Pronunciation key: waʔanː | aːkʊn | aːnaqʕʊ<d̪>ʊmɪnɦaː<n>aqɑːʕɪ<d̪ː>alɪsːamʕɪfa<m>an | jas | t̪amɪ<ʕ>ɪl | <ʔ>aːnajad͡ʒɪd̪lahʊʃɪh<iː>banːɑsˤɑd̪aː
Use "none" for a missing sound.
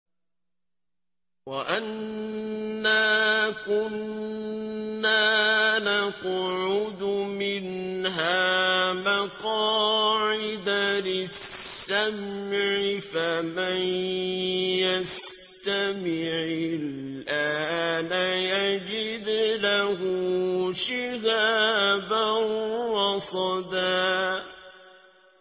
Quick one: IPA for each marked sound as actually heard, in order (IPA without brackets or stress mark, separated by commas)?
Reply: d̪, m, d̪, m, ʕ, ʔ, aː